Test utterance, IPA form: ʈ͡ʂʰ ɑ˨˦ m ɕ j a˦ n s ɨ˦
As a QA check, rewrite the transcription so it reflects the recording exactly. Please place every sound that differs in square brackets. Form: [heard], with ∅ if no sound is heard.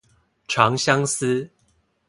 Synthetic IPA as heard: ʈ͡ʂʰ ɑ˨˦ [ŋ] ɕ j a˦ [ŋ] s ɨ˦